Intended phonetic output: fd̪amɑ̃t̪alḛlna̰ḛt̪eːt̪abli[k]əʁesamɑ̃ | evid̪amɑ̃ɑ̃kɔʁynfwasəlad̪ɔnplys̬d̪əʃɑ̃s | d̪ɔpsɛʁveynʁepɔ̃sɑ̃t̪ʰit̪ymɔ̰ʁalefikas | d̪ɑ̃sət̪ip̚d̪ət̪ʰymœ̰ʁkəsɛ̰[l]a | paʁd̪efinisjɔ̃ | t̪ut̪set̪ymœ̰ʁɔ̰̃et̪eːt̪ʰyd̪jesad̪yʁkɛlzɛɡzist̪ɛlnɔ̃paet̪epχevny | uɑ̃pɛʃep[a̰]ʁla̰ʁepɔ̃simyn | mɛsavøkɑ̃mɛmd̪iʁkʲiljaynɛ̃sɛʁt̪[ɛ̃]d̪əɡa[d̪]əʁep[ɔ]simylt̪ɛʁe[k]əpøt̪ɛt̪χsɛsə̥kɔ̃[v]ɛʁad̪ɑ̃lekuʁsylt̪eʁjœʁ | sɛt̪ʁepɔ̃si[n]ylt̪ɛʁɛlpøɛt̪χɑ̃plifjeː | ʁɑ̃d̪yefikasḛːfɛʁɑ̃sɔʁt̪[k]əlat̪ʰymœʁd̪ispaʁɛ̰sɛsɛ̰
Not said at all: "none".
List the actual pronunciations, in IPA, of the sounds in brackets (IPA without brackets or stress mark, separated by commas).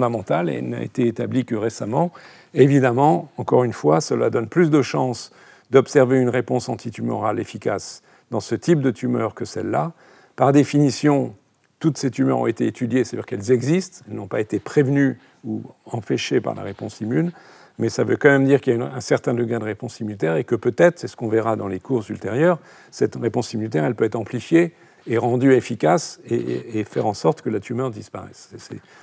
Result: k, lː, a̰, ɛ̃, d̪, ɔ̃, k, v, m, k